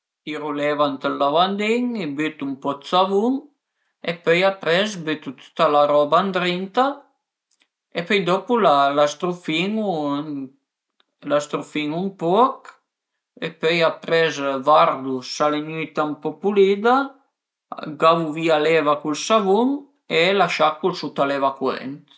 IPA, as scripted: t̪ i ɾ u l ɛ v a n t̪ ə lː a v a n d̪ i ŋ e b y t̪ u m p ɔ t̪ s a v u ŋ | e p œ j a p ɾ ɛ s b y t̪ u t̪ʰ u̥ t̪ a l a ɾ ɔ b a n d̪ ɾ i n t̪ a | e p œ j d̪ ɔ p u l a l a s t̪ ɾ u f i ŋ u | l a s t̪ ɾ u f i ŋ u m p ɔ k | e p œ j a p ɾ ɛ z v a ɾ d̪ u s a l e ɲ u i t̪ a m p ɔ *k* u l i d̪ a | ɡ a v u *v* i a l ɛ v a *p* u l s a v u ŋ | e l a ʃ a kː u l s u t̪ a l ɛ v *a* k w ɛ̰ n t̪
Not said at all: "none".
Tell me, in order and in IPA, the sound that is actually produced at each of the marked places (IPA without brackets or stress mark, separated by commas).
p, v, k, a